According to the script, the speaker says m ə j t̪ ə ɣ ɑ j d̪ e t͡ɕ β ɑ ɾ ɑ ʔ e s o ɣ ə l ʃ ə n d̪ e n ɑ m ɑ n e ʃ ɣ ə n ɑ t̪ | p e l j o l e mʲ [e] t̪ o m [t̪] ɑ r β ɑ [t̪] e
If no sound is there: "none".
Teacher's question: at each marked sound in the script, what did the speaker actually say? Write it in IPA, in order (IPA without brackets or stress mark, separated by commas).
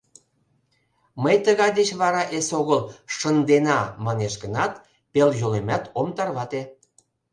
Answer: æ, t̪, t̪